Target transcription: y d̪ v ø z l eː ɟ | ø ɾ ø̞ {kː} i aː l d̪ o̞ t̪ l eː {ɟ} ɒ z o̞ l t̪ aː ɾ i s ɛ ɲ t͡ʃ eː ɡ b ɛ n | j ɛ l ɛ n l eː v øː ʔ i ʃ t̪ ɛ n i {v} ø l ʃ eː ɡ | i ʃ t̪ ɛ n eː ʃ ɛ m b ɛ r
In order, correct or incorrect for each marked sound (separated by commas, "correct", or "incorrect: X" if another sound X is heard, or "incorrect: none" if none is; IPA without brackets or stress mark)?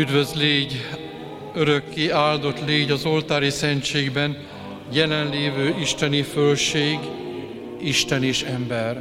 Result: correct, correct, incorrect: f